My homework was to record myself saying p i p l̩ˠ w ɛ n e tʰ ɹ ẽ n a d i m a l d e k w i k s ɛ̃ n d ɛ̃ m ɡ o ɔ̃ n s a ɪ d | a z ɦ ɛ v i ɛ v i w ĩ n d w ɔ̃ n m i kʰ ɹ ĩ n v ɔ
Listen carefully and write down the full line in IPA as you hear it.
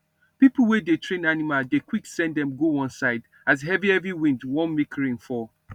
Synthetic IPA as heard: p i p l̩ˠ w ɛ d e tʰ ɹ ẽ n a n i m a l d e k w i k s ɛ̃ n d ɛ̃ m ɡ o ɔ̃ n s a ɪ d | a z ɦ ɛ v i ɛ v i w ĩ n d w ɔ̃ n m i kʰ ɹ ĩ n f ɔ

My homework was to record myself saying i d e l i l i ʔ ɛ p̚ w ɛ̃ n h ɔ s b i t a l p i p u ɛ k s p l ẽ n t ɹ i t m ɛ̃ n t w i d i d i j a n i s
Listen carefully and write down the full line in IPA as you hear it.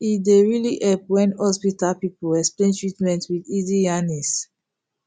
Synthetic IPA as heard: i d e ɹ i l i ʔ ɛ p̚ w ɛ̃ n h ɔ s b i t a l p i p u ɛ k s p l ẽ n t ɹ i t m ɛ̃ n t w i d i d i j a n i s

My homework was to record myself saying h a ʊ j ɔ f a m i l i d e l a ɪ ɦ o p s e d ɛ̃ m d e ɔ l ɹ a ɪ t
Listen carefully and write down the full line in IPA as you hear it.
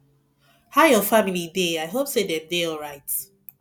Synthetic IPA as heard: h a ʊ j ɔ f a m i l i d e a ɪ ɦ o p s e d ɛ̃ m d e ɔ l ɹ a ɪ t

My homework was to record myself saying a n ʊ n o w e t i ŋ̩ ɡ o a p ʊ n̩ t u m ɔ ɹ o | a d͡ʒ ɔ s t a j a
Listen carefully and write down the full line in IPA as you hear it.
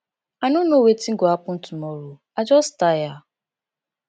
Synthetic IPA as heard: a n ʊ n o w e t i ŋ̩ ɡ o a p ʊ n̩ t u m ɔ ɾ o | a d͡ʒ ɔ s t a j a

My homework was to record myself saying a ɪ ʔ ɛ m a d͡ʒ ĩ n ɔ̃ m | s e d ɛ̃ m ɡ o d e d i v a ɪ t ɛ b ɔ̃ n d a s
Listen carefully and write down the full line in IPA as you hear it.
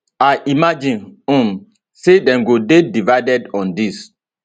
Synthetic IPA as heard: a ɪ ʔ i m a d͡ʒ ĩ n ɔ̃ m | s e d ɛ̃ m ɡ o d e d i v a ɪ d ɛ d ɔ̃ n d i s

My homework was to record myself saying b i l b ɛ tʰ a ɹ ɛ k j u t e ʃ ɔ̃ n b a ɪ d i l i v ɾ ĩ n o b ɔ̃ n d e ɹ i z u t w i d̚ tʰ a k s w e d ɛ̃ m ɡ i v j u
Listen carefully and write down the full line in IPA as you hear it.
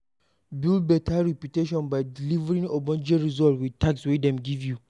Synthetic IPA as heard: b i l b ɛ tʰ a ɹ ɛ p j u t e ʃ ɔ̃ n b a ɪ d i l i v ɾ ĩ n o b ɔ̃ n d͡ʒ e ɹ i z ɔ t w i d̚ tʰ a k s w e d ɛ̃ m ɡ i v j u

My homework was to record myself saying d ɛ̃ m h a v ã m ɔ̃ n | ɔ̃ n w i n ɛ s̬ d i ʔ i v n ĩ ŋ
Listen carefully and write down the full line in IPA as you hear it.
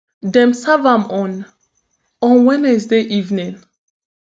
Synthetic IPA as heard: d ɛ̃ m s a v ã m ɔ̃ n | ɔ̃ n w ɛ n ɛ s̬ d e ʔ i v n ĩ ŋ

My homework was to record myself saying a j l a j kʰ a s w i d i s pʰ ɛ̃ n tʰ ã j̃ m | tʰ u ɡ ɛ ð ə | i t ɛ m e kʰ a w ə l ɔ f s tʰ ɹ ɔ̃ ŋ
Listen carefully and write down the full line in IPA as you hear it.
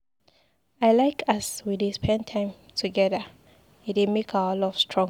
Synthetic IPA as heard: a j l a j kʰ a s w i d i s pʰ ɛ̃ n tʰ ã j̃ m | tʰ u ɡ ɛ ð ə | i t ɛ m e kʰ a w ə l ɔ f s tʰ ɹ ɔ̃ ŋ

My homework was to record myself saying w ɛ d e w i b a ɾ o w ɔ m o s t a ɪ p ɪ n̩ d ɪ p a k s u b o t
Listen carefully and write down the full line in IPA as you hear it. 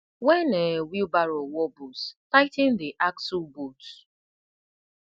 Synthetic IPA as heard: w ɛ n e w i b a ɾ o w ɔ b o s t a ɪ t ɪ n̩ d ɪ ʔ a k s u b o t

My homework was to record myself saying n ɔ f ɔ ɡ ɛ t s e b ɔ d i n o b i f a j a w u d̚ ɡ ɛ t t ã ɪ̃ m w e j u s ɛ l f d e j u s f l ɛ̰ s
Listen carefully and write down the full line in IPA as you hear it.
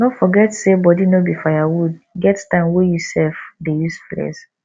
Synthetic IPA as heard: n ɔ f ɔ ɡ ɛ t s e b ɔ d i n o b i f a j a w u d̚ ɡ ɛ t t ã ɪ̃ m w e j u s ɛ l f d e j u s f l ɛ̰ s

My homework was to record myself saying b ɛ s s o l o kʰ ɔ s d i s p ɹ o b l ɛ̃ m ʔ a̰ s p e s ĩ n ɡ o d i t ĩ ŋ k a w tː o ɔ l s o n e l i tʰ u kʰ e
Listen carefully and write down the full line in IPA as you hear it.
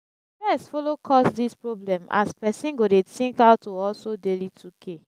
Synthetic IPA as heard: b ɛ s f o l o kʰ ɔ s d i s p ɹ o b l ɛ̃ m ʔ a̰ s p ɛ s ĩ n ɡ o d e t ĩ ŋ k a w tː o ɔ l s o d e l i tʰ u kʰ e

